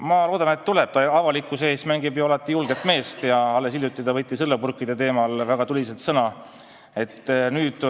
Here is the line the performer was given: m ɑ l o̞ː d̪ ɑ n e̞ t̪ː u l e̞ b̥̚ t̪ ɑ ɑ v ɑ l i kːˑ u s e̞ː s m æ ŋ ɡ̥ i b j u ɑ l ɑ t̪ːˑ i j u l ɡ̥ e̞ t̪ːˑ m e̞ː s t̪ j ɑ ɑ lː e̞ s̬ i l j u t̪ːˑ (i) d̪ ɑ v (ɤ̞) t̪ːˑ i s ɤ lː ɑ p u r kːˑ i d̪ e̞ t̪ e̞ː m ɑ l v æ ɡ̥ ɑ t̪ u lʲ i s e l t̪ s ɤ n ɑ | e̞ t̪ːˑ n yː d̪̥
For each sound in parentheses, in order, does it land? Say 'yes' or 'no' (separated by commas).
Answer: yes, yes